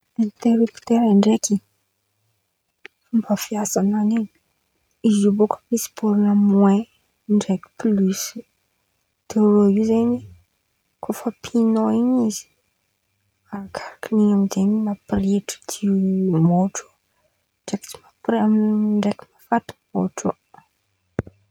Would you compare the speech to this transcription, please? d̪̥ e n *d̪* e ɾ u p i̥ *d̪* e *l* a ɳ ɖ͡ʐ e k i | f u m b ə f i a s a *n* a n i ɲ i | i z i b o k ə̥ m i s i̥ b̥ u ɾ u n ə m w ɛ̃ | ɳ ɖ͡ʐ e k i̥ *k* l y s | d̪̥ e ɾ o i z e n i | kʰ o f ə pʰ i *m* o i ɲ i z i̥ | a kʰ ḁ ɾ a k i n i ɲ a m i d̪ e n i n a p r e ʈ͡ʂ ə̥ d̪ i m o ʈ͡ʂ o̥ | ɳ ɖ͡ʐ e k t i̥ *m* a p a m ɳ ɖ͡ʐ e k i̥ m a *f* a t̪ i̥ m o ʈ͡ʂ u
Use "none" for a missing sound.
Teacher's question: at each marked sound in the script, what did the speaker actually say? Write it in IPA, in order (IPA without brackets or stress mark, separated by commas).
t̪, t̪, ɾ, n, p, n, m, f